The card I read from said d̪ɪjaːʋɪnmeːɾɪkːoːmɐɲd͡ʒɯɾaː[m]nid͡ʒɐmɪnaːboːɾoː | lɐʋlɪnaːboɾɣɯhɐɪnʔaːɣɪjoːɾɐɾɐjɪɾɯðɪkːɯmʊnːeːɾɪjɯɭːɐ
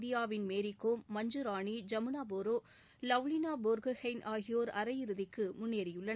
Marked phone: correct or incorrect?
incorrect